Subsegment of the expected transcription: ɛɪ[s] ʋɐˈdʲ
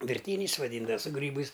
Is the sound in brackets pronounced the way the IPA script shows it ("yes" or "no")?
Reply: yes